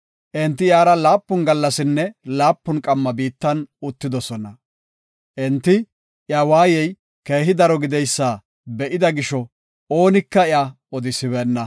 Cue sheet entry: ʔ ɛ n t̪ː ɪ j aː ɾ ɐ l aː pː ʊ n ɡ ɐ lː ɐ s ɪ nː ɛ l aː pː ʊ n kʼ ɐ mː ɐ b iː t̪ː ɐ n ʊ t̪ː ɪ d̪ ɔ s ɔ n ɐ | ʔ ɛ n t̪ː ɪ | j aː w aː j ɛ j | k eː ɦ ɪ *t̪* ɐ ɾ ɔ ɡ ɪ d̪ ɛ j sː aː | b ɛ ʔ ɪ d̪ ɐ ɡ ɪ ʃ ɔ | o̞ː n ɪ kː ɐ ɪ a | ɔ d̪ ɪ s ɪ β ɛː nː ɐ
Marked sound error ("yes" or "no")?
yes